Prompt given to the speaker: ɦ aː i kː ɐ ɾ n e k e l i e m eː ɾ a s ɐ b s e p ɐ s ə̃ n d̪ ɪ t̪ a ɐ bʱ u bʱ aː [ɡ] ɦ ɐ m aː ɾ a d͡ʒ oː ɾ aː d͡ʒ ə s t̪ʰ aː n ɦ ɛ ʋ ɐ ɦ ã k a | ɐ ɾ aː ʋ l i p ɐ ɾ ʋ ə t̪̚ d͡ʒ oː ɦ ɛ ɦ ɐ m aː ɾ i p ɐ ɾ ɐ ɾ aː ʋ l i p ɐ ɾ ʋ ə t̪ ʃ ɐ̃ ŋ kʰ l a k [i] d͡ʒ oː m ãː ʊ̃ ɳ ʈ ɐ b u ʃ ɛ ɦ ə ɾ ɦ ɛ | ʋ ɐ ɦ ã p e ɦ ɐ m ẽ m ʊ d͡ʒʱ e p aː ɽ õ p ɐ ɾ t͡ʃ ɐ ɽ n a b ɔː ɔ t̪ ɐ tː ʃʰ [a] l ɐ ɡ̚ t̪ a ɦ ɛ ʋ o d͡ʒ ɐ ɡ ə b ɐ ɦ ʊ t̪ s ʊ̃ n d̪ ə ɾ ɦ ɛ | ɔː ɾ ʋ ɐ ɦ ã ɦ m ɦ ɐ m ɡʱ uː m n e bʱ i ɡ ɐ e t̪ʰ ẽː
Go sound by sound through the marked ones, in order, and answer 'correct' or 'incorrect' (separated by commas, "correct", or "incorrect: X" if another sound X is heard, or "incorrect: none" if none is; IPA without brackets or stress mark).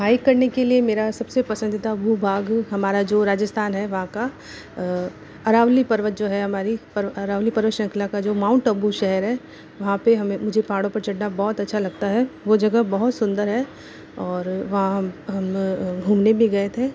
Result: correct, incorrect: a, correct